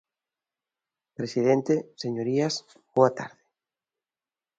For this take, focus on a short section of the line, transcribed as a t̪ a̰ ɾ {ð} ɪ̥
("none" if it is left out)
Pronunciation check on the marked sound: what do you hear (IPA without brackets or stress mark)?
ð